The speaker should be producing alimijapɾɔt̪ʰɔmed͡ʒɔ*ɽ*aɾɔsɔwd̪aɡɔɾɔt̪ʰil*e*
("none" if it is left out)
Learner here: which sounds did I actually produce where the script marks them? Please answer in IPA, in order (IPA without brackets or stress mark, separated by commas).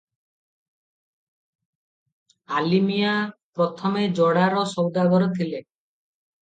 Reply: ɽ, e